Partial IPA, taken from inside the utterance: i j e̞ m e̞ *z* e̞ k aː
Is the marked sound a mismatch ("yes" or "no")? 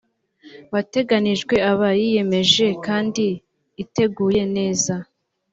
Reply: yes